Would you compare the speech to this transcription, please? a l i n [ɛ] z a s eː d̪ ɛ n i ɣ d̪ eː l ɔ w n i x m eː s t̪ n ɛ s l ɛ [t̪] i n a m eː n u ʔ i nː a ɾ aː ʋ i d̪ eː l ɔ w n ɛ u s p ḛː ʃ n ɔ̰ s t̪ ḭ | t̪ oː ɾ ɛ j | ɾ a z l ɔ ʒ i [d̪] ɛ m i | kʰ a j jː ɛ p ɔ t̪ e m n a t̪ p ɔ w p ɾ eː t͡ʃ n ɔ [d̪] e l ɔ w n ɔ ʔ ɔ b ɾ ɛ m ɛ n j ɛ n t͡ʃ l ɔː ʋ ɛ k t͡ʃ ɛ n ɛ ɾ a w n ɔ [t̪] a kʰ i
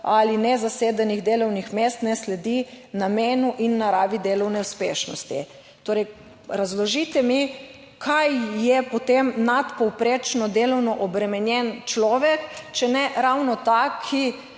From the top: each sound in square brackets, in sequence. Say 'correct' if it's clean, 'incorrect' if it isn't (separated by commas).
correct, incorrect, incorrect, correct, correct